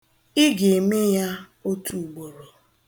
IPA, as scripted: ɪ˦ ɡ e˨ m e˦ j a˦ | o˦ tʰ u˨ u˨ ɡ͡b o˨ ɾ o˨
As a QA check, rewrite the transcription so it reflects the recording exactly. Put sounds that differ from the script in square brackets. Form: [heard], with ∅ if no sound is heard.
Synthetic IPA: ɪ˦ ɡ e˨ m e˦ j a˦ | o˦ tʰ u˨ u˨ ɡ͡b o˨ ɾ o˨